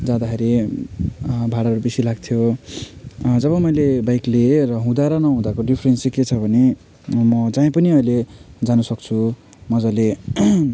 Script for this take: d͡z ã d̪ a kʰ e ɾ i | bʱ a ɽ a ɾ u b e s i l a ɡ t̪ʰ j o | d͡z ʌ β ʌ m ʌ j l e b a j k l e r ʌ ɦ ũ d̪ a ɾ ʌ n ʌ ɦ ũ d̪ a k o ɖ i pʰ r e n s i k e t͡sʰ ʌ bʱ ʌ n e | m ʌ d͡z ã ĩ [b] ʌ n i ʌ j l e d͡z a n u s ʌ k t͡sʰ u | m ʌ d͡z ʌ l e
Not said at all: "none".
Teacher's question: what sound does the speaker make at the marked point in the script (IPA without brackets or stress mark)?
p